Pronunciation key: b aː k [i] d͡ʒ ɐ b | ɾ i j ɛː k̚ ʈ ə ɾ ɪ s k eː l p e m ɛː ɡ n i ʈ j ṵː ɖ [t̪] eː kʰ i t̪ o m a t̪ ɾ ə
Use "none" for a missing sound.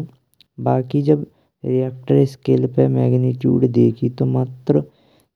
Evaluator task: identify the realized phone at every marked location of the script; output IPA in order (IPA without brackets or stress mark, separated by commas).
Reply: i, d̪